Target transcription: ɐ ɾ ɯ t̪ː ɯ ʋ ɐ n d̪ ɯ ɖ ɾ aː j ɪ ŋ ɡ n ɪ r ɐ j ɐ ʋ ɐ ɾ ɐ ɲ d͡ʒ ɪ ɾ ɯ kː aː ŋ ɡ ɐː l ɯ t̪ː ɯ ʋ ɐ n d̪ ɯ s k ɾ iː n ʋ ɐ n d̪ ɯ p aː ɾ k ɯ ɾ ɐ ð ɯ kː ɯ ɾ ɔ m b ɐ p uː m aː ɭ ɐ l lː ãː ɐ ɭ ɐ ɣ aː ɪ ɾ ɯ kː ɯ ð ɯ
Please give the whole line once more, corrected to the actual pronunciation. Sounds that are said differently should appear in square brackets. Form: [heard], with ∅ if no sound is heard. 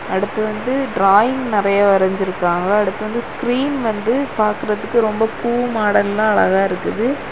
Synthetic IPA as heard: ɐ [ɽ] ɯ t̪ː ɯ ʋ ɐ n d̪ ɯ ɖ ɾ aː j ɪ ŋ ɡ n ɪ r ɐ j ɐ ʋ ɐ ɾ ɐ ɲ d͡ʒ ɪ ɾ ɯ kː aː ŋ ɡ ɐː [ɽ] ɯ t̪ː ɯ ʋ ɐ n d̪ ɯ s k ɾ iː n ʋ ɐ n d̪ ɯ p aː ɾ k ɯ ɾ ɐ ð ɯ kː ɯ ɾ ɔ m b ɐ p uː m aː [ɽ] ɐ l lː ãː ɐ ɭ ɐ ɣ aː ɪ ɾ ɯ kː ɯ ð ɯ